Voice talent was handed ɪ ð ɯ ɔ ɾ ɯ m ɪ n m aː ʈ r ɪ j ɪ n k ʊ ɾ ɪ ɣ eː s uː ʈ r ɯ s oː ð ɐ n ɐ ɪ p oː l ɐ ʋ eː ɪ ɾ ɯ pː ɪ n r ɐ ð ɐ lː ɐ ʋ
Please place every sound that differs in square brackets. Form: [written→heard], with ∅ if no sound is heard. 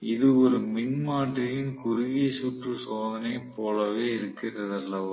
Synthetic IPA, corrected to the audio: ɪ ð ɯ ɔ ɾ ɯ m ɪ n m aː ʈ r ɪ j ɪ n k ʊ ɾ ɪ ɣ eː s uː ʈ r ɯ s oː ð ɐ n ɐ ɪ p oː l ɐ ʋ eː ɪ ɾ ɯ [pː→kː] ɪ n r ɐ ð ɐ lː ɐ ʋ